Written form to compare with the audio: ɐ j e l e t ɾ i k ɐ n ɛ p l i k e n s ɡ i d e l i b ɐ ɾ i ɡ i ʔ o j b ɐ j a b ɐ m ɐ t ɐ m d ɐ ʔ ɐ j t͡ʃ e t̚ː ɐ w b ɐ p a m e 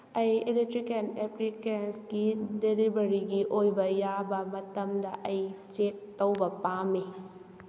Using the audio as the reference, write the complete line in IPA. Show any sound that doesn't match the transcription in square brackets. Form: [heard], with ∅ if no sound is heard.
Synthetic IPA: ɐ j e l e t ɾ i k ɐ n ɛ p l i k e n s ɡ i d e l i b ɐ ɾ i ɡ i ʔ o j b ɐ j a b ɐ m ɐ t ɐ m d ɐ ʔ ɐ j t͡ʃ e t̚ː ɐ w b ɐ p a m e